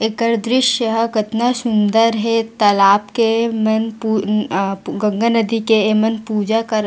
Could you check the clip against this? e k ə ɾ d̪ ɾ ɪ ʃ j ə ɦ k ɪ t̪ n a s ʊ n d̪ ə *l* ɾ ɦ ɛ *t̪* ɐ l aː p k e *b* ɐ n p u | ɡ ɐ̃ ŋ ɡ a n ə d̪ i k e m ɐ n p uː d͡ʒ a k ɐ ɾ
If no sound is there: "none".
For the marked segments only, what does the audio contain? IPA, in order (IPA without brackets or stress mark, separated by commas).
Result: none, t̪, m